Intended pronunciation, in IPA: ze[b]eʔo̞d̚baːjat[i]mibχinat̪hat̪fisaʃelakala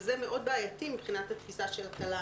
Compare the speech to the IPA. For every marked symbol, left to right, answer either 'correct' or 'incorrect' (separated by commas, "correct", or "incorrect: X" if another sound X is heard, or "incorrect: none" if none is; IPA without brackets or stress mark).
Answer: incorrect: m, correct